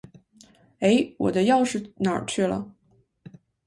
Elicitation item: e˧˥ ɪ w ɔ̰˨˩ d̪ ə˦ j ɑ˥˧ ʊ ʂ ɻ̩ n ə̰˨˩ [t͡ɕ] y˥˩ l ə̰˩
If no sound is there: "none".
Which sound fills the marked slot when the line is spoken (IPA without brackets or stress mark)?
t͡ɕʰ